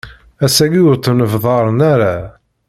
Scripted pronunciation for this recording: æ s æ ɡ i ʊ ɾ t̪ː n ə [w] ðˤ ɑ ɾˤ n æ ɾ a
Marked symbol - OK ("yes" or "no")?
no